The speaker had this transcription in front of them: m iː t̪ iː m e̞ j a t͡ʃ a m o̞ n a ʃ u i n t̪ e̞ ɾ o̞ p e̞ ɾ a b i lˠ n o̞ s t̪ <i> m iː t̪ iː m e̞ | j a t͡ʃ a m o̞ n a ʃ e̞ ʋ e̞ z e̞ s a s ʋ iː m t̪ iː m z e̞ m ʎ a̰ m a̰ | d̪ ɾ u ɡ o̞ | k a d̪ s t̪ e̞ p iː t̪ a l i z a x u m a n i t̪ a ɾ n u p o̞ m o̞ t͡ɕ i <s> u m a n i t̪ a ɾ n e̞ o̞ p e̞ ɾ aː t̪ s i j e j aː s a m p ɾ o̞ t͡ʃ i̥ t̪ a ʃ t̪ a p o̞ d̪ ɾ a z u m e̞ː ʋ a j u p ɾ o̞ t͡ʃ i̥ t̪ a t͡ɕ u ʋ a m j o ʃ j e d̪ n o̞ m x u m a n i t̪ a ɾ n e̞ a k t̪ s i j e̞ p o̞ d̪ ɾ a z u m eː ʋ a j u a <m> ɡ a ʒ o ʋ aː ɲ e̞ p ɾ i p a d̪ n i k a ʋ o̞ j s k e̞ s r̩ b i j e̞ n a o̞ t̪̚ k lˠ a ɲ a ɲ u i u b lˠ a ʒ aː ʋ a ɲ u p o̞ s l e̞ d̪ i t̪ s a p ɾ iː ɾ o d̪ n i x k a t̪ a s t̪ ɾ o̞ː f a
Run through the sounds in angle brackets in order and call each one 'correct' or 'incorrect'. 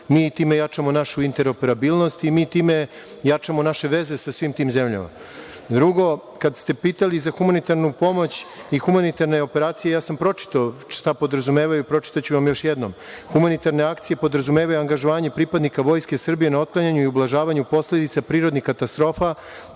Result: correct, incorrect: x, incorrect: ŋ

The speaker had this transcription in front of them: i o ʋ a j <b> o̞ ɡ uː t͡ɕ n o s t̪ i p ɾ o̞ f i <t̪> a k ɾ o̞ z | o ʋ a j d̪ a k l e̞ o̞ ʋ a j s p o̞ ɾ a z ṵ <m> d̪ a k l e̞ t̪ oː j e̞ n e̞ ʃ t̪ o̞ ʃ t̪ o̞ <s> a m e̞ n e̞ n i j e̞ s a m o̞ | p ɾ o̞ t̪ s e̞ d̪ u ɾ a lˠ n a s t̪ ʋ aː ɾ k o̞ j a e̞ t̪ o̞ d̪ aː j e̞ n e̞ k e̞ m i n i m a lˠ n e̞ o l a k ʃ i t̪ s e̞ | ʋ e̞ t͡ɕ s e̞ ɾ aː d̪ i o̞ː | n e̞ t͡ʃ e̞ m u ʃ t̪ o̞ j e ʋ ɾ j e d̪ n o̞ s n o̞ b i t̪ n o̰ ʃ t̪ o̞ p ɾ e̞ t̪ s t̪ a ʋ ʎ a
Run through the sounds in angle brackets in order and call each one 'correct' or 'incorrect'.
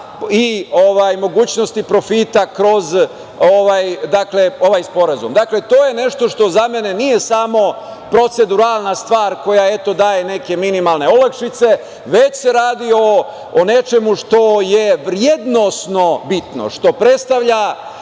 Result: incorrect: m, correct, correct, incorrect: z

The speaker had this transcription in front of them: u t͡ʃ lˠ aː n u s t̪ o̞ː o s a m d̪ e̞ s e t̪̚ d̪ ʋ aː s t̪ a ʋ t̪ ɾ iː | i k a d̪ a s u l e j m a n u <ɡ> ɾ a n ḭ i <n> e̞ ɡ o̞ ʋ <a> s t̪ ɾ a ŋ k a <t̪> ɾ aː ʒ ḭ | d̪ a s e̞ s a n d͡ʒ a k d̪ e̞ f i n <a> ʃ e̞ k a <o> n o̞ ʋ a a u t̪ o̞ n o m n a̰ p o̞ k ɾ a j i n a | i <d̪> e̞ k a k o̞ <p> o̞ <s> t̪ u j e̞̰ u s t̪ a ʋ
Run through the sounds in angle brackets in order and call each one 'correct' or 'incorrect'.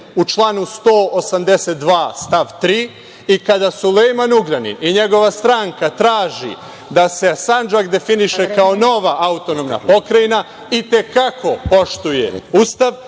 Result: correct, incorrect: ɲ, correct, correct, incorrect: i, correct, incorrect: t̪, correct, incorrect: ʃ

